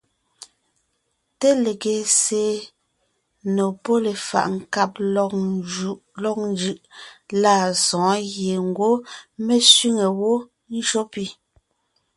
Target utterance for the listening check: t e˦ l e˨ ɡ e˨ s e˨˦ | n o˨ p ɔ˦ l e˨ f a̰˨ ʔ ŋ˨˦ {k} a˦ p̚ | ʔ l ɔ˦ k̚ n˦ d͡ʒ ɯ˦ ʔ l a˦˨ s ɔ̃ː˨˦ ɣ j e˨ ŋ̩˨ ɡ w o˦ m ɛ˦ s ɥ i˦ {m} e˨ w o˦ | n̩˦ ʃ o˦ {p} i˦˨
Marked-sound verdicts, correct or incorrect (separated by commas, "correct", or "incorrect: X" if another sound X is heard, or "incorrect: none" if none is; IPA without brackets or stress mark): correct, incorrect: ŋ, correct